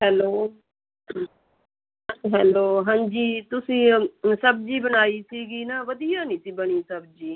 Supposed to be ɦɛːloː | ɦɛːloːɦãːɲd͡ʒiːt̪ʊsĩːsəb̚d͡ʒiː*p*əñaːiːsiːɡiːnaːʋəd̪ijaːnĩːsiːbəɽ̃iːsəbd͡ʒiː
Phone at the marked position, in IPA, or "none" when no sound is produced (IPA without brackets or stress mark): b